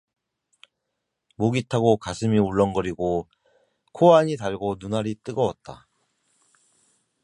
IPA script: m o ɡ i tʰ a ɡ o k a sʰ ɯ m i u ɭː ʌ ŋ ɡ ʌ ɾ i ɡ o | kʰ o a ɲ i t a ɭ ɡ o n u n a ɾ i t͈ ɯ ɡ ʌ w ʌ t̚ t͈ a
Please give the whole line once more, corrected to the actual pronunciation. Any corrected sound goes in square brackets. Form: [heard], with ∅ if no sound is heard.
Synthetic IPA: m o ɡ i tʰ a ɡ o k a sʰ ɯ m i u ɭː ʌ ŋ ɡ ʌ ɾ i ɡ o | kʰ o a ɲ i t a ɭ ɡ o n u n a ɾ i t͈ ɯ ɡ ʌ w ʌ t̚ t͈ a